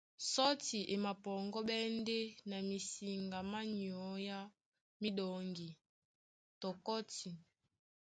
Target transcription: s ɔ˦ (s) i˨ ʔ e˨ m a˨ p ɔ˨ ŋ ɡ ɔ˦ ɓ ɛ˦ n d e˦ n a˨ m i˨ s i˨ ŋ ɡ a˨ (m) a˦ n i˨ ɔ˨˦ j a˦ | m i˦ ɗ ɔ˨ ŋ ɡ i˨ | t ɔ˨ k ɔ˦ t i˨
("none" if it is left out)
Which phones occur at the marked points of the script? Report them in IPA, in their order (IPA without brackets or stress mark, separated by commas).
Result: t, m